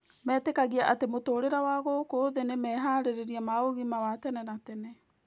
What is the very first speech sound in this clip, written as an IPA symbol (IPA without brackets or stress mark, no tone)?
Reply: m